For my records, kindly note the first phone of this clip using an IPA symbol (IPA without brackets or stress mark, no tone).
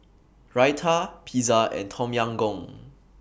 ɹ